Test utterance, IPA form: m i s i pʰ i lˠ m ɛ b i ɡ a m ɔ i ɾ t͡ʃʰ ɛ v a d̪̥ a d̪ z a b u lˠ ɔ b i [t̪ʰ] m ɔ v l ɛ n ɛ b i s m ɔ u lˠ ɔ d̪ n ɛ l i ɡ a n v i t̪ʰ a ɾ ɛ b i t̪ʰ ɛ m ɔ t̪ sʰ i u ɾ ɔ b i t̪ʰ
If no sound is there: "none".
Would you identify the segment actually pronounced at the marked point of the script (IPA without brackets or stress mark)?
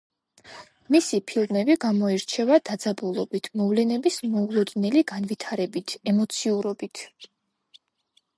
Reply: t̪ʰ